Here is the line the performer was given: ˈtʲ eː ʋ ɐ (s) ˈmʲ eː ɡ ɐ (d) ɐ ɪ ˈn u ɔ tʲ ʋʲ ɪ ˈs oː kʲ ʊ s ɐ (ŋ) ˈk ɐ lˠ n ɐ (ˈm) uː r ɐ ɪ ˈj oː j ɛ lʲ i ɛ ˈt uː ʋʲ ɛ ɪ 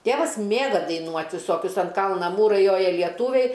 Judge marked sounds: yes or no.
yes, yes, no, yes

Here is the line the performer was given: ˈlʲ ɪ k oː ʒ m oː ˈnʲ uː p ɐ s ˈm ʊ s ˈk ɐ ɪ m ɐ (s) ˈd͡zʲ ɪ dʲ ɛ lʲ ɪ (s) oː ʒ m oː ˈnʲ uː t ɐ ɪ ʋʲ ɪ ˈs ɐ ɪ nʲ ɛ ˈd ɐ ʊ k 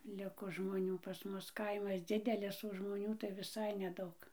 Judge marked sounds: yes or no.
yes, yes

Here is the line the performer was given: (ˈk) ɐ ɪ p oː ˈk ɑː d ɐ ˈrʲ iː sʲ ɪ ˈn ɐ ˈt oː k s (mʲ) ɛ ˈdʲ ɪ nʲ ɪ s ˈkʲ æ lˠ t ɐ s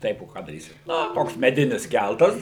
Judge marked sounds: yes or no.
no, yes

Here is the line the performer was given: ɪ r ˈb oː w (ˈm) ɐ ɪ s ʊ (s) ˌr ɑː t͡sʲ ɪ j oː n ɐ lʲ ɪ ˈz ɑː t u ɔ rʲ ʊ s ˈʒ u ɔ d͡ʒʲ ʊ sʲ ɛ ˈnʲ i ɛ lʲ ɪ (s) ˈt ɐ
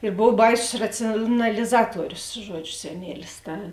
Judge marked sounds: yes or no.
no, yes, yes

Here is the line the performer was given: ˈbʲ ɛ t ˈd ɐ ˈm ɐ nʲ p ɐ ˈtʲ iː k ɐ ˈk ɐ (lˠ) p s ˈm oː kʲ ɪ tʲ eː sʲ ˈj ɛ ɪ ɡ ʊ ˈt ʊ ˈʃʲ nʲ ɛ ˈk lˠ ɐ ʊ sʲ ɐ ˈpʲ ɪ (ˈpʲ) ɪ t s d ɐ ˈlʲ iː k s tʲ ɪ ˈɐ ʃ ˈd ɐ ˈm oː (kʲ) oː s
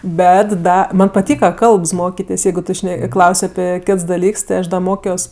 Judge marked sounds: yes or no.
yes, no, yes

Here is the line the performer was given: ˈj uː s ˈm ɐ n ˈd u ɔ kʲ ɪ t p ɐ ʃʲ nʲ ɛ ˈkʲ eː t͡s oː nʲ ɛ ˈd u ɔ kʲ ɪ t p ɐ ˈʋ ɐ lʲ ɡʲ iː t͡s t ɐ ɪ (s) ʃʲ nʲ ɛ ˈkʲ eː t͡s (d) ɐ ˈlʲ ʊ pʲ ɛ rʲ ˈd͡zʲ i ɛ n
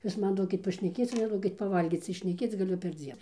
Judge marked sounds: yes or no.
no, no

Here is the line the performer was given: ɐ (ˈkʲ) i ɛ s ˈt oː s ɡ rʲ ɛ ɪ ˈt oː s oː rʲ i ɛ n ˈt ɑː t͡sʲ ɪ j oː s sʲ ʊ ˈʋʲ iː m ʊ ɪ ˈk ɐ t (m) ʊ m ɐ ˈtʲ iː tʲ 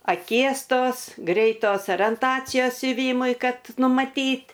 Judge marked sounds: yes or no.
yes, no

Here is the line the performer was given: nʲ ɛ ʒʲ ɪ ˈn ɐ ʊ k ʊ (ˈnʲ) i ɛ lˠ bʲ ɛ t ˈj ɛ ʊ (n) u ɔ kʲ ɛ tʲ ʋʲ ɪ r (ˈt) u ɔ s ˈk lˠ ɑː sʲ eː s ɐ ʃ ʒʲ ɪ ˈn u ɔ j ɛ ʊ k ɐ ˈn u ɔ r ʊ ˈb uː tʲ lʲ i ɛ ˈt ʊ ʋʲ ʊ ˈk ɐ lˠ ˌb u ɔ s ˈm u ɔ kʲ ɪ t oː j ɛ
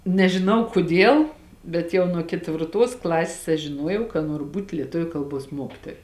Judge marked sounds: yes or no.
no, yes, yes

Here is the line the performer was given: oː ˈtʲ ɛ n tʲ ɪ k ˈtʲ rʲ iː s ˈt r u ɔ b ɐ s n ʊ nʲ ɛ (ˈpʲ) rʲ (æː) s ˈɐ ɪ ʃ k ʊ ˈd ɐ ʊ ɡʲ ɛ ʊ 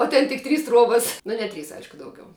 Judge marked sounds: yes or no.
no, no

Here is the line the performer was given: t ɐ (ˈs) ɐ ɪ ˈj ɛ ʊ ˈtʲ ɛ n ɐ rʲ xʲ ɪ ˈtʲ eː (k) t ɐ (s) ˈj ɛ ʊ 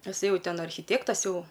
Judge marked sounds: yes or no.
yes, yes, yes

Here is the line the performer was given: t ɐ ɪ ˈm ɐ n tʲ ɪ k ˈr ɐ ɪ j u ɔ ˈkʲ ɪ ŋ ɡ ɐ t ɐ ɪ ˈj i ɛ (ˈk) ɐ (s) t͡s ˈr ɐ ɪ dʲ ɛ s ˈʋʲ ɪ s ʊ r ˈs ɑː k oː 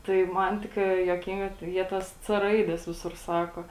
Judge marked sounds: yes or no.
no, yes

